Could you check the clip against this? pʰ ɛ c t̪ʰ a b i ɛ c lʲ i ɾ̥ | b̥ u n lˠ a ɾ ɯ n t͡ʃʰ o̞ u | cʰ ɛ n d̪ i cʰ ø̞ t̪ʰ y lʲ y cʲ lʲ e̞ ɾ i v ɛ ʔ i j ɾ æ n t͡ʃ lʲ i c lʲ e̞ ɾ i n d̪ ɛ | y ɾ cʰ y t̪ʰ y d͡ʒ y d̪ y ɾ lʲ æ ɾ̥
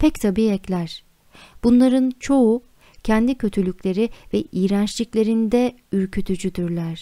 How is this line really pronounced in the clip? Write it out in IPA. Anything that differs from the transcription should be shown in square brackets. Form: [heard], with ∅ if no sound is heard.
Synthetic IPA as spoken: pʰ ɛ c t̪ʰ a b i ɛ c lʲ [æ] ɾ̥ | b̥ u n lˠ a ɾ ɯ n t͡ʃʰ o̞ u | cʰ ɛ n d̪ i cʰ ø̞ t̪ʰ y lʲ y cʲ lʲ e̞ ɾ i v ɛ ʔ i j ɾ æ n t͡ʃ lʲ i c lʲ e̞ ɾ i n d̪ ɛ | y ɾ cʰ y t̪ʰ y d͡ʒ y d̪ y ɾ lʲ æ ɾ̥